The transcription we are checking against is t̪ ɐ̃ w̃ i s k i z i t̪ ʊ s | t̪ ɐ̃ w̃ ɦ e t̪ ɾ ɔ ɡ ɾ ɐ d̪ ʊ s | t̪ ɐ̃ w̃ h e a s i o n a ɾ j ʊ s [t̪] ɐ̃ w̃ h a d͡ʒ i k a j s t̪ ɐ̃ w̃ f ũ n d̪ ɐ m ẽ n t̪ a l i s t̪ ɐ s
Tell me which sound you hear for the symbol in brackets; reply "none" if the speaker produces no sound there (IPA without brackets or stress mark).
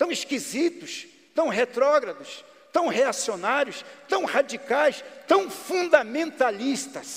t̪